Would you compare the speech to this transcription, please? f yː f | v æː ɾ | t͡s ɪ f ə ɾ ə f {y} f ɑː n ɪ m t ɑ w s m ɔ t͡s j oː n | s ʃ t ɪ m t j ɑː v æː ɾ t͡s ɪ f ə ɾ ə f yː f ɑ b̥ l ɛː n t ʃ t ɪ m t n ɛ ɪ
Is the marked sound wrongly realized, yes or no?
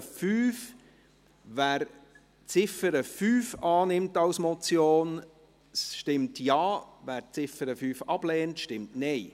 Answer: yes